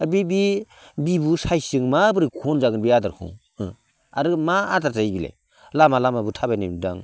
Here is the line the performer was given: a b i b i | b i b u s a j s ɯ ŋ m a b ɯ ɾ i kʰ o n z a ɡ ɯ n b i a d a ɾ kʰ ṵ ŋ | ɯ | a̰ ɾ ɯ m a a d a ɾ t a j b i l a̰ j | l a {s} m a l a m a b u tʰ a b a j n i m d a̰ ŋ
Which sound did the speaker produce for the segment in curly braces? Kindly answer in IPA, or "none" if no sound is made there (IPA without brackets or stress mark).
none